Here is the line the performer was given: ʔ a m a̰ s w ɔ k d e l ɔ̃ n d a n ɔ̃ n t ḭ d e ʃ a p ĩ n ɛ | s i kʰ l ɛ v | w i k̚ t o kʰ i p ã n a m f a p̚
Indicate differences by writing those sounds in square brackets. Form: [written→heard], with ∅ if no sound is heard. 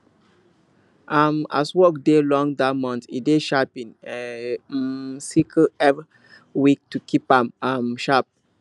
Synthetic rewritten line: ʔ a m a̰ s w ɔ k d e l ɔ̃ [n→ŋ] d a [n→m] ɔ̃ n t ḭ d e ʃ a p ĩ n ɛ | s i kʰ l ɛ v | w i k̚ t [o→u] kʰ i p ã [n→m] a m [f→ʃ] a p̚